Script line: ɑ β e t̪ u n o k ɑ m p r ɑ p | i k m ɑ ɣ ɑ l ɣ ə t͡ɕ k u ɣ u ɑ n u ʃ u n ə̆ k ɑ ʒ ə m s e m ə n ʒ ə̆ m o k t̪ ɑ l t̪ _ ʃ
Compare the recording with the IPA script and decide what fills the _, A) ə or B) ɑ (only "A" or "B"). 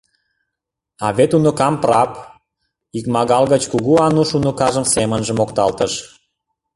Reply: A